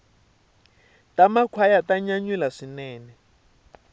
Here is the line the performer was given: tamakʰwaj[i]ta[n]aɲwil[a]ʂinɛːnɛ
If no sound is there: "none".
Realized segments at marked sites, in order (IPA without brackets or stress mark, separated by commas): a, ɲ, a